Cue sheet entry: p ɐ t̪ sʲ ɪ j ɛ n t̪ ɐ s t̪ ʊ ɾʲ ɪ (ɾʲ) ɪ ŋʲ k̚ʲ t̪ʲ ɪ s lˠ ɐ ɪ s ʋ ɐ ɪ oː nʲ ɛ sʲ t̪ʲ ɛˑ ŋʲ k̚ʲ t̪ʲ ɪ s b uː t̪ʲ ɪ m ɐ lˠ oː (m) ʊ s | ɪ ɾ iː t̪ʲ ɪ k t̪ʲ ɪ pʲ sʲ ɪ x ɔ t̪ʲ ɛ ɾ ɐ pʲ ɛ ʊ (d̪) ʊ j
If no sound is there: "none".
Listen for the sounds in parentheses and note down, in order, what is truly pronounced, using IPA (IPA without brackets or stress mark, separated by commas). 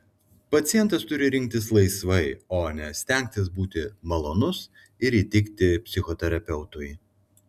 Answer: ɾʲ, n, t̪